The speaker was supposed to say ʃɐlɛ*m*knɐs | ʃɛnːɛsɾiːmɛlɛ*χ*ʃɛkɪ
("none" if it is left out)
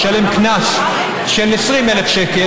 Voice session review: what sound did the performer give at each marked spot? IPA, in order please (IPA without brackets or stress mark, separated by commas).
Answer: m, f